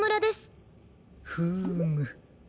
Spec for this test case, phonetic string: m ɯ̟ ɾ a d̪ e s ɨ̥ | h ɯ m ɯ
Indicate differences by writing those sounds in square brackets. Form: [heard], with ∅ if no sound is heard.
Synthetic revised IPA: m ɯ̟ ɾ a d̪ e s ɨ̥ | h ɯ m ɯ